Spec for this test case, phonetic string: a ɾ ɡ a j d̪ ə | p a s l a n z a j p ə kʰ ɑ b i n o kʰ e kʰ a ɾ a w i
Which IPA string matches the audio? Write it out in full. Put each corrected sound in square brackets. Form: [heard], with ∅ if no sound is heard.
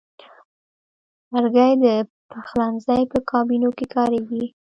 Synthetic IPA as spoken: a ɾ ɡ a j d̪ ə | p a [x] l a n z a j p ə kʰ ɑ b i n o [k] e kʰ [ɑ] ɾ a w i